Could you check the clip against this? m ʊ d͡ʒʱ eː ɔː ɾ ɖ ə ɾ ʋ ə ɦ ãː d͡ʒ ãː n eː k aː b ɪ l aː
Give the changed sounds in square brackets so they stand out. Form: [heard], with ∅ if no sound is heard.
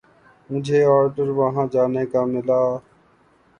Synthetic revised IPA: m ʊ d͡ʒʱ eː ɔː ɾ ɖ ə ɾ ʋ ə ɦ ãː d͡ʒ [aː] n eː k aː [m] ɪ l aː